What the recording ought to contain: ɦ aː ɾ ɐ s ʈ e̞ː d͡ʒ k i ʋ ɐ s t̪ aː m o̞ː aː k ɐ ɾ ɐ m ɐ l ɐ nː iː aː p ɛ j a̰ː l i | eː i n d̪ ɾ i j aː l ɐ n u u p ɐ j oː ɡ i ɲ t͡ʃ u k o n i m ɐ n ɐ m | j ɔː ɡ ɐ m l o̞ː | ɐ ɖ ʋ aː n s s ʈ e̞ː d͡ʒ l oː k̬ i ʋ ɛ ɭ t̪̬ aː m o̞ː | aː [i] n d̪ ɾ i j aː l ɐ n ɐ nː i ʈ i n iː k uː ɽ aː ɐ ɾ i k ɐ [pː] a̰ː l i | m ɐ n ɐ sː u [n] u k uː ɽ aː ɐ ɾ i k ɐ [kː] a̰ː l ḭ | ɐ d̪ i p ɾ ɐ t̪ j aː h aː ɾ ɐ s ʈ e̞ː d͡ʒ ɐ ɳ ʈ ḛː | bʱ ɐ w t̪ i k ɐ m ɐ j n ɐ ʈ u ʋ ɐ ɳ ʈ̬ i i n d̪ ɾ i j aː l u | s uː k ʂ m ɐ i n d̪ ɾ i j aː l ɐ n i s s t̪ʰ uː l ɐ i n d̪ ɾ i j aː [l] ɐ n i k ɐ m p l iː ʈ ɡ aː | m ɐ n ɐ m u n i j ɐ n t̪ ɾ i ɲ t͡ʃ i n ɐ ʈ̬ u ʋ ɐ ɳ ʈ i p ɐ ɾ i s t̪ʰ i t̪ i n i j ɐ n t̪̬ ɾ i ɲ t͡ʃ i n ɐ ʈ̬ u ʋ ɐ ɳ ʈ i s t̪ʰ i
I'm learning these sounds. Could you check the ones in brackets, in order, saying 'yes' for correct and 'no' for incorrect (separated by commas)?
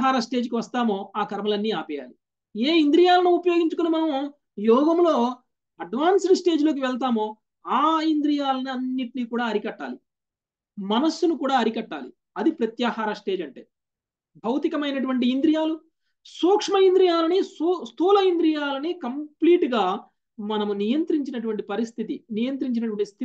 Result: yes, no, yes, no, yes